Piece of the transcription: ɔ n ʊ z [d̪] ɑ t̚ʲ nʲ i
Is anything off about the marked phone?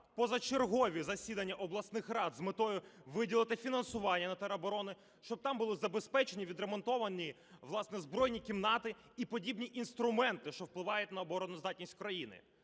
no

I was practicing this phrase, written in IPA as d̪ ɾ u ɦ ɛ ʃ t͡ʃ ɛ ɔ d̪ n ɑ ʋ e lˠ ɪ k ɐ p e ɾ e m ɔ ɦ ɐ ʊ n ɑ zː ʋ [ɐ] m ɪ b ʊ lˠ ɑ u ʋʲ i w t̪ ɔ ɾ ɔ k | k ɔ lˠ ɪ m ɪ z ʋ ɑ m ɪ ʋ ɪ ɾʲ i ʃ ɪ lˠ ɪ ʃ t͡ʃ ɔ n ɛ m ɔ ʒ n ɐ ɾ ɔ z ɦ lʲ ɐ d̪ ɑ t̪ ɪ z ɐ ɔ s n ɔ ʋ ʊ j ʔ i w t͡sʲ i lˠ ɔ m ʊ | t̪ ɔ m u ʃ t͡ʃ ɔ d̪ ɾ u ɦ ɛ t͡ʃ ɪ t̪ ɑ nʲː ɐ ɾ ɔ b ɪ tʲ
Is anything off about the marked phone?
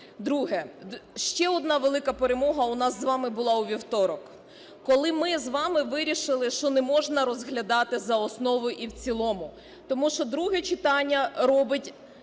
yes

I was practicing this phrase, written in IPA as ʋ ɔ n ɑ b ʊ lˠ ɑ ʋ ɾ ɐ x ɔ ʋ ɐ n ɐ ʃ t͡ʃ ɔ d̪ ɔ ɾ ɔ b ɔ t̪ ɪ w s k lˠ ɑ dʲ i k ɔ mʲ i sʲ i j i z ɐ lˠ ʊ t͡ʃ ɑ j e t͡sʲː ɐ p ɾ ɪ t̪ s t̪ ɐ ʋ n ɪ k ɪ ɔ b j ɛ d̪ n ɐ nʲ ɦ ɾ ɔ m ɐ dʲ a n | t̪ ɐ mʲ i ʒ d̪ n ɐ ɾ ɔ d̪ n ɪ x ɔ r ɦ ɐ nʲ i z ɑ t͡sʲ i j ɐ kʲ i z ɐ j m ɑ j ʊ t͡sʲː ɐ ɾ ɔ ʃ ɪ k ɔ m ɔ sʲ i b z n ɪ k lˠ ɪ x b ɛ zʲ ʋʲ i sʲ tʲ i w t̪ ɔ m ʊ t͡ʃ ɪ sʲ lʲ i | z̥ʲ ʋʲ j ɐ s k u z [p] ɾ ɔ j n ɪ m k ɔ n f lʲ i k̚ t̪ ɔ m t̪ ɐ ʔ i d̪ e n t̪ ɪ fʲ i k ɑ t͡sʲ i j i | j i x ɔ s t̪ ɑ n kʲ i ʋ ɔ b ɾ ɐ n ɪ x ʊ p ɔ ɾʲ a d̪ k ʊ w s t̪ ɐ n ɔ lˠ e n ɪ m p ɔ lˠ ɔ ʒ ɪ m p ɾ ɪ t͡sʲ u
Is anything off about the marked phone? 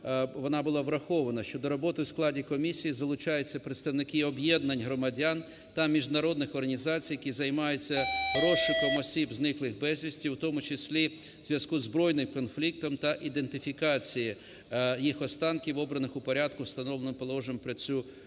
yes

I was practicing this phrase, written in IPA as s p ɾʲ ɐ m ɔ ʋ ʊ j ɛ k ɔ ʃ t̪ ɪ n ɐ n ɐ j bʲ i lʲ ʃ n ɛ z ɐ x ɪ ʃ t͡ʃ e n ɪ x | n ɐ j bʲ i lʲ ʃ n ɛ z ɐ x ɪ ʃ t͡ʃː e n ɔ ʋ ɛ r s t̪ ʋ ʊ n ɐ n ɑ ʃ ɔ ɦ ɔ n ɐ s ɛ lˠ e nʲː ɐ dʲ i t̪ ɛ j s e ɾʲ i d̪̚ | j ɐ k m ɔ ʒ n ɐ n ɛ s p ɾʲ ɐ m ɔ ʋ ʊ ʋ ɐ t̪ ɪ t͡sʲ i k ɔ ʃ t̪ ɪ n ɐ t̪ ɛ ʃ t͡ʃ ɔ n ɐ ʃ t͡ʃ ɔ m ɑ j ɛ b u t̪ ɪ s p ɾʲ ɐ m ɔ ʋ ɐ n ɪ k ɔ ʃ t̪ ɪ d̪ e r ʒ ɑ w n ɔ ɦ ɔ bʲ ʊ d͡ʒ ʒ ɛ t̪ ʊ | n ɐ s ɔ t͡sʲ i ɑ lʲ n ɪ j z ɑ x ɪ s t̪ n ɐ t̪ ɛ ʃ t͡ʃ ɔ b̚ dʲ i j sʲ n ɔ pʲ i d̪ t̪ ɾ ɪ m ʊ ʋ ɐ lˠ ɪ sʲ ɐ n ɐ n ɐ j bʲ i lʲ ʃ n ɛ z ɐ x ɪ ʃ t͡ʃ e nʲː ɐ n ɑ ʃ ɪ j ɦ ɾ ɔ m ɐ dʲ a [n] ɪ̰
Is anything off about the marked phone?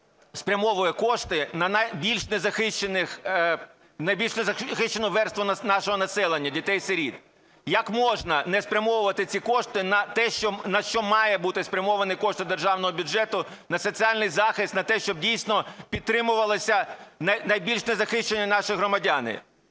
no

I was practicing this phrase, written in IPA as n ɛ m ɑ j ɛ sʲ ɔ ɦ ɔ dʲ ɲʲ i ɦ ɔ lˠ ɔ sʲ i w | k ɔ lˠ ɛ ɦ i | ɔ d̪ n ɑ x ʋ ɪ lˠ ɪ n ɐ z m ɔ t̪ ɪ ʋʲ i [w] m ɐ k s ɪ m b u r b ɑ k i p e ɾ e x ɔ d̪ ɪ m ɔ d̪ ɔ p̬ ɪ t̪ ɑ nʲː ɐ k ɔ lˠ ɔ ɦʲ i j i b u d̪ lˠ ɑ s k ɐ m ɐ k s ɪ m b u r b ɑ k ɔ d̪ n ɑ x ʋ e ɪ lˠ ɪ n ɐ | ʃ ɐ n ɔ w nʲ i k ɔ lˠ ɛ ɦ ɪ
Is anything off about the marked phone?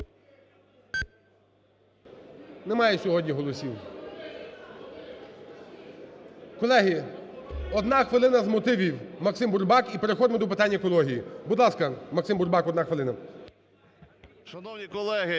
no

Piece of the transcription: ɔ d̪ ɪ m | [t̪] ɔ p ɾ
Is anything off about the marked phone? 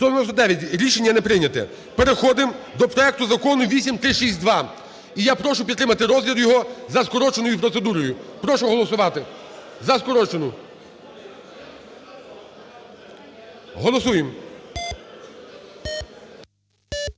yes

